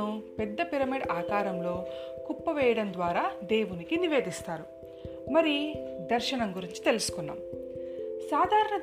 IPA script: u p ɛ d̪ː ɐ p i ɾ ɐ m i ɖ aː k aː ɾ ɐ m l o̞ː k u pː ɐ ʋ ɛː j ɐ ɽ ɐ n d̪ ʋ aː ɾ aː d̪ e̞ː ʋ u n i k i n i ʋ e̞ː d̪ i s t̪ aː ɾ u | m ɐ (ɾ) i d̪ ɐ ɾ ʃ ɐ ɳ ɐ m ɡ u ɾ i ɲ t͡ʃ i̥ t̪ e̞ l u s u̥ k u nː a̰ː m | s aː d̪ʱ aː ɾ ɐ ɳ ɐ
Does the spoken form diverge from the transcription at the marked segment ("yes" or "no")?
no